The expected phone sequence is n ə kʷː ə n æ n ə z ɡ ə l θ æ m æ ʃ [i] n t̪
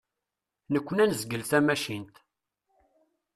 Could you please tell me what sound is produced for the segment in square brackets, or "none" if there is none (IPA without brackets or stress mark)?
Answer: i